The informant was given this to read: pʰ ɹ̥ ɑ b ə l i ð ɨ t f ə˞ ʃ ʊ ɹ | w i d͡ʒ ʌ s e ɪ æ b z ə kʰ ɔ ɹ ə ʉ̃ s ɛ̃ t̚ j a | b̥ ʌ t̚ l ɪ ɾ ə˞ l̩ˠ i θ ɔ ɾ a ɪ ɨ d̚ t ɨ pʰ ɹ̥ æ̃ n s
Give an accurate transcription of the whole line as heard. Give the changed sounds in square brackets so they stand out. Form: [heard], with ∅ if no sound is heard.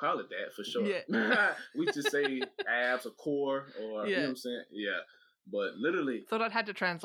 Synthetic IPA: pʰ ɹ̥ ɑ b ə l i ð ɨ t f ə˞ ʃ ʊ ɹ | w i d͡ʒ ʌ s e ɪ æ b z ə kʰ ɔ ɹ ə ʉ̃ s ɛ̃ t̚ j [æ] | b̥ ʌ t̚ l ɪ ɾ ə˞ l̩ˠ i θ ɔ ɾ a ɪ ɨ d̚ t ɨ [tʰ] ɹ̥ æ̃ n s